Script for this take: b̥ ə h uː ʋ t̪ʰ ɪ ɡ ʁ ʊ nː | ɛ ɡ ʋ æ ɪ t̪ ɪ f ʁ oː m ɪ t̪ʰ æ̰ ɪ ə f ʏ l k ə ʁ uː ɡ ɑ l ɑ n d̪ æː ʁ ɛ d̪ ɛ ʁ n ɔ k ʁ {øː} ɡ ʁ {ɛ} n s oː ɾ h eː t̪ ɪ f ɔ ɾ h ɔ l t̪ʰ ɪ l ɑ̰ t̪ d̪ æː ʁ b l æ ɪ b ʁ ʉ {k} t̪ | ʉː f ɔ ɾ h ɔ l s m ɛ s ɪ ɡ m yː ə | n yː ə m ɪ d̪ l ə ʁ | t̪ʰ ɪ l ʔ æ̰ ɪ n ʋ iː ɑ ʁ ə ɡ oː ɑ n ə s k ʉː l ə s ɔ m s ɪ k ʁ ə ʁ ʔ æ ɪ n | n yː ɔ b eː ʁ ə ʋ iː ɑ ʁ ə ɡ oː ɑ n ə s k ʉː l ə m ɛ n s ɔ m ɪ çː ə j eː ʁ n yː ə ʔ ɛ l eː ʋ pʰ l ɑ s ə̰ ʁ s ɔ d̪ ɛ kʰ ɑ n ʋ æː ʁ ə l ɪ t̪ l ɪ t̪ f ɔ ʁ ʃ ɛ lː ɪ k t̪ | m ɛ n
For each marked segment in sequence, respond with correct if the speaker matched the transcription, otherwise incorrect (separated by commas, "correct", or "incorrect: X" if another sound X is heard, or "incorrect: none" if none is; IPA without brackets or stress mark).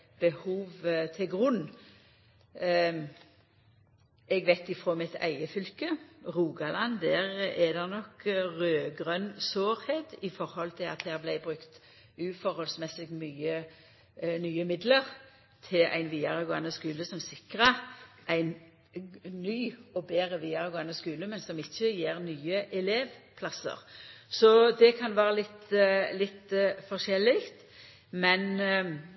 correct, incorrect: œ, correct